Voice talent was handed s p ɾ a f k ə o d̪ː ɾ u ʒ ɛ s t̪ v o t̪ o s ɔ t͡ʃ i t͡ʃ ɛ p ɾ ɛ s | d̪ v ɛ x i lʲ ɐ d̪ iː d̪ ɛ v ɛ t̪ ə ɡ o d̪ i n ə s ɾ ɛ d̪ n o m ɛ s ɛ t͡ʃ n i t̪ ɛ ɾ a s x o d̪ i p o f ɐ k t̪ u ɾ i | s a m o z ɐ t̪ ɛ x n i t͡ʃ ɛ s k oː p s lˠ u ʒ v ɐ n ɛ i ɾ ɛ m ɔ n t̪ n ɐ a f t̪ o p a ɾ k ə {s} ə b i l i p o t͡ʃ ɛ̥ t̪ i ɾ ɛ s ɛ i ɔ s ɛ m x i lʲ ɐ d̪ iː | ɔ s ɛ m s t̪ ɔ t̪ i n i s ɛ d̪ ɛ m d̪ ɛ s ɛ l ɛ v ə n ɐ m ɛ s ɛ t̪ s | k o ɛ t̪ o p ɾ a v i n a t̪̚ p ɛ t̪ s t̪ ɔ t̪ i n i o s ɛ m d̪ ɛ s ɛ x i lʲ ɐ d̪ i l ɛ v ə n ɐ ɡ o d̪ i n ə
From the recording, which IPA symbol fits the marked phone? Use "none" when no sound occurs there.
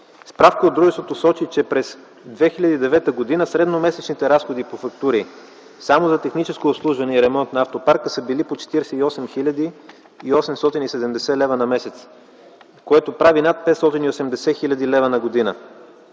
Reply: s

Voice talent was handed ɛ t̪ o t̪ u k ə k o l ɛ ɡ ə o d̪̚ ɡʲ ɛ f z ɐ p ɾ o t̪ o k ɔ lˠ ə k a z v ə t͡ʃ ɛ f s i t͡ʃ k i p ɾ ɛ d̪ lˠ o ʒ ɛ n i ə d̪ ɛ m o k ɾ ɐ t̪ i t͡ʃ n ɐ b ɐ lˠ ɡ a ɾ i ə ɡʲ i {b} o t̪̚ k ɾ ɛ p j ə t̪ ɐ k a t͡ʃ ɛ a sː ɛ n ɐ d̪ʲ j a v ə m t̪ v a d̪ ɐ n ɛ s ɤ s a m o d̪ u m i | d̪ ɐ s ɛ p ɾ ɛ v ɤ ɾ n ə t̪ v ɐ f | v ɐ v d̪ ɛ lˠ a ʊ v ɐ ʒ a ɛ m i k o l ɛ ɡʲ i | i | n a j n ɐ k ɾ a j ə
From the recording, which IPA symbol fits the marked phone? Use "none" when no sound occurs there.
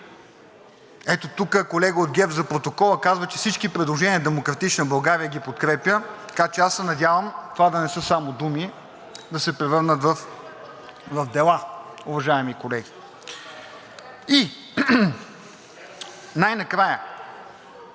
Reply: p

